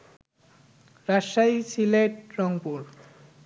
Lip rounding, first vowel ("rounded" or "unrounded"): unrounded